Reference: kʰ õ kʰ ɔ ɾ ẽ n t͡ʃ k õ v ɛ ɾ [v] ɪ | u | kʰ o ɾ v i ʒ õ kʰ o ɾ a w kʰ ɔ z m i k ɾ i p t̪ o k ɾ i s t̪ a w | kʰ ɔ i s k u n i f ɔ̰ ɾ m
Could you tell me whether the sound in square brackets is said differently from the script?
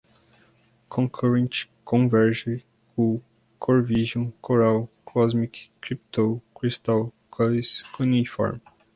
yes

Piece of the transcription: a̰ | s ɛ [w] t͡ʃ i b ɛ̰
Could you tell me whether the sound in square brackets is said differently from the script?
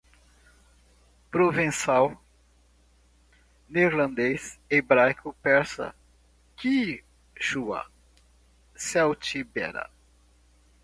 no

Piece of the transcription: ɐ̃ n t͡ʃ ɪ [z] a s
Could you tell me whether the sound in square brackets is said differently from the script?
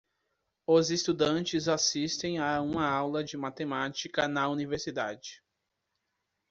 no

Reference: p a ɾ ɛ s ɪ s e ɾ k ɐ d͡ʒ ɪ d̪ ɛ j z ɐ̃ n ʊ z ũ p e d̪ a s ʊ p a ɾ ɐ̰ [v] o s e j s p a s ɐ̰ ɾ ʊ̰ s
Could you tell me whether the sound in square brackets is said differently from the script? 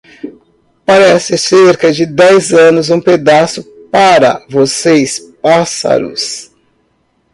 no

